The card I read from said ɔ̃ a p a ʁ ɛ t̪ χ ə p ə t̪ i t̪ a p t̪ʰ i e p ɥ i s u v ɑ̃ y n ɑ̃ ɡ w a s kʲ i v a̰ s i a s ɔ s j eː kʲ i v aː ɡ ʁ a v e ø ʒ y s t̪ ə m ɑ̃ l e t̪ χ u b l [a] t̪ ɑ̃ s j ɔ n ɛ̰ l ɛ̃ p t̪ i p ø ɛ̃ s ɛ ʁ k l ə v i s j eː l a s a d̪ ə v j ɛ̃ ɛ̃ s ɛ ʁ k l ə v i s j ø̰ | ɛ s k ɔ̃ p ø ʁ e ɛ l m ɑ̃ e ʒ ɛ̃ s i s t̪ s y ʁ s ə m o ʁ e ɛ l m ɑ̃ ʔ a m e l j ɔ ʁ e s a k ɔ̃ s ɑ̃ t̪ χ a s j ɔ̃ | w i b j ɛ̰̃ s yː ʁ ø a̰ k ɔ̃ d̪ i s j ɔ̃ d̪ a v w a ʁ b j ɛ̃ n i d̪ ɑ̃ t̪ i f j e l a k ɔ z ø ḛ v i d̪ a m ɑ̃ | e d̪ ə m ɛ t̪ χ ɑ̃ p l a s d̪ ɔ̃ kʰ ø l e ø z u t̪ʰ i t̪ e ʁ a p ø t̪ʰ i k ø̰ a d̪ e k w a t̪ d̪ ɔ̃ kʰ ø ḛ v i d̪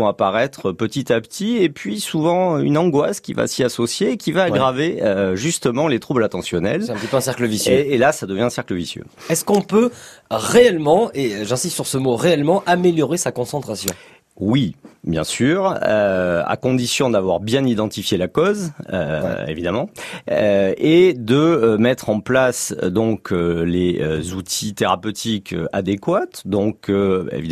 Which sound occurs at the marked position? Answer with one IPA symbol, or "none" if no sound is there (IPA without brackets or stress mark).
a